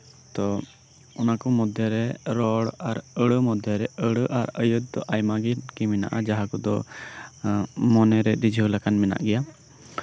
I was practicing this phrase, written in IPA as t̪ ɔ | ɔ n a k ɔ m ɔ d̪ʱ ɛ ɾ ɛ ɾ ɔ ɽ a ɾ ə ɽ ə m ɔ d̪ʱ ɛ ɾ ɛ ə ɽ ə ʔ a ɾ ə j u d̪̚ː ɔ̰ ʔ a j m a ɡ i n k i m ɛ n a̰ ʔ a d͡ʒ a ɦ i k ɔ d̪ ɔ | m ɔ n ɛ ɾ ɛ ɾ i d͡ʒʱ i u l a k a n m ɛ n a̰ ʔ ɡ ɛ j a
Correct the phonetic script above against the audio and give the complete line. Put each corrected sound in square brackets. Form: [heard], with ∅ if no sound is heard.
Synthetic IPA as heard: t̪ ɔ | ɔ n a k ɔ m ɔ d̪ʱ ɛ ɾ ɛ ɾ ɔ ɽ a ɾ ə ɽ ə m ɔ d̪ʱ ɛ ɾ ɛ ə ɽ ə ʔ a ɾ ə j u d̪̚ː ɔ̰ ʔ a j m a ɡ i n k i m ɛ n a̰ ʔ a d͡ʒ a ɦ [a] k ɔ d̪ ɔ | m ɔ n ɛ ɾ ɛ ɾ i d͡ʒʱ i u l a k a n m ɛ n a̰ ʔ ɡ ɛ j a

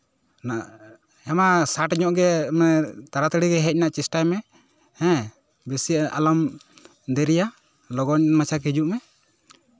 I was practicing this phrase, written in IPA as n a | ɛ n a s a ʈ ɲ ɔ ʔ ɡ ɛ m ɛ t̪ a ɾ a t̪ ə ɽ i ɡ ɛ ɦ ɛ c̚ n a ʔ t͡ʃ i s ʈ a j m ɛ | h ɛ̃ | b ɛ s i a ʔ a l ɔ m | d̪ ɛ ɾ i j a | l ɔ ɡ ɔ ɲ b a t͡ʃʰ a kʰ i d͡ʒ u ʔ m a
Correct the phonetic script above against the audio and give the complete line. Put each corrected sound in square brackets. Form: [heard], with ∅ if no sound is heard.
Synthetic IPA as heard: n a | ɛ [m] a s a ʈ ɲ ɔ ʔ ɡ ɛ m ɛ t̪ a ɾ a t̪ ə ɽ i ɡ ɛ ɦ ɛ c̚ n a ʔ t͡ʃ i s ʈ a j m ɛ | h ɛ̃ | b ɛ s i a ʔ a l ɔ m | d̪ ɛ ɾ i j a | l ɔ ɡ ɔ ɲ [m] a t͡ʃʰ a [k] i d͡ʒ u ʔ m [ɛ]

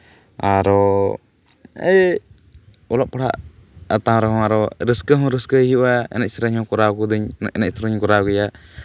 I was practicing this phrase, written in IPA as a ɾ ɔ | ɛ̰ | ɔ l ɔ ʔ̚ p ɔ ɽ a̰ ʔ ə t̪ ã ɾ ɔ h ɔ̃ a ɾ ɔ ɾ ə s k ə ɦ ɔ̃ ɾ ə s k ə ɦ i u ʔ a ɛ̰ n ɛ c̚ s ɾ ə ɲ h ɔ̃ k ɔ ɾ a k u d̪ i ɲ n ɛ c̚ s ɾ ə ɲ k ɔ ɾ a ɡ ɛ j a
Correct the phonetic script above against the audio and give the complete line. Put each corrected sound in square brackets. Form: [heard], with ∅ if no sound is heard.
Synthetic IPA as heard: a ɾ ɔ | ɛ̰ | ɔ l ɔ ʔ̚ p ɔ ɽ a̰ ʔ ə t̪ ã ɾ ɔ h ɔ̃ a ɾ ɔ ɾ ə s k ə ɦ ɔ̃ ɾ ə s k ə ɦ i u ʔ a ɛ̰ n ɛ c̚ s ɾ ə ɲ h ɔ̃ k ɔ ɾ a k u d̪ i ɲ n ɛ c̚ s ɾ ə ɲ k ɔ ɾ a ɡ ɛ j a

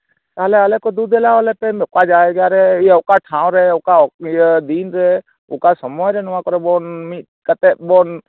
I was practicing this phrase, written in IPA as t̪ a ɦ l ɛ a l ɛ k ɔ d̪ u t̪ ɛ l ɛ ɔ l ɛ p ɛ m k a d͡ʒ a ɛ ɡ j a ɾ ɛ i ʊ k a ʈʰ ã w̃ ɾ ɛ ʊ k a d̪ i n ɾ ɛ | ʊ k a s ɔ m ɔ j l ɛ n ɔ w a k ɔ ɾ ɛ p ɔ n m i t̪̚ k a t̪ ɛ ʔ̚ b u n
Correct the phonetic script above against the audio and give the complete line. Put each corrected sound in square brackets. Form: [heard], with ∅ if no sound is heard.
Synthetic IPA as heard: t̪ a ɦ l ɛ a l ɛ k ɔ d̪ u [d̪] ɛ l [a] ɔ l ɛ p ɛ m k a d͡ʒ a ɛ ɡ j a ɾ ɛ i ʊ k a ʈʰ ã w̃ ɾ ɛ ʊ k a d̪ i n ɾ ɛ | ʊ k a s ɔ m ɔ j [ɾ] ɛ n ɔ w a k ɔ ɾ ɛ [b] ɔ n m i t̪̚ k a t̪ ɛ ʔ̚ b [ɔ] n

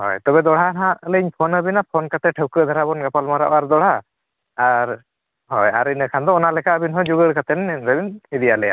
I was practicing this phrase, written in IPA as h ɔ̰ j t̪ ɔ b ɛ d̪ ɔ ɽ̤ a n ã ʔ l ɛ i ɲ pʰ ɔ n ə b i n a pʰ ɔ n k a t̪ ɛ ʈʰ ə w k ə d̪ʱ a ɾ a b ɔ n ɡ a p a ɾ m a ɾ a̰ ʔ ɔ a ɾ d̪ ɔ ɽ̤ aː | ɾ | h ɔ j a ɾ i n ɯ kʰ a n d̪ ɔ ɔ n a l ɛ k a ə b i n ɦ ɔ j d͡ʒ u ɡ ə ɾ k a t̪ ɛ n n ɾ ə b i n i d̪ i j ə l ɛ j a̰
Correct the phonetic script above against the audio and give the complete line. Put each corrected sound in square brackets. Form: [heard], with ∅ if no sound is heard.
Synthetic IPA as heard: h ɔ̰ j t̪ ɔ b ɛ d̪ ɔ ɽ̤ a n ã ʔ l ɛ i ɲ pʰ ɔ n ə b i n a pʰ ɔ n k a t̪ ɛ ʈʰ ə w k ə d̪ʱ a ɾ a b ɔ n ɡ a p a [l] m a ɾ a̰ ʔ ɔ a ɾ d̪ ɔ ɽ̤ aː | ɾ | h ɔ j a ɾ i n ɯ kʰ a n d̪ ɔ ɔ n a l ɛ k a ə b i n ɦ ɔ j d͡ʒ u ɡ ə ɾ k a t̪ ɛ n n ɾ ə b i n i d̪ i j [a] l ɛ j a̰

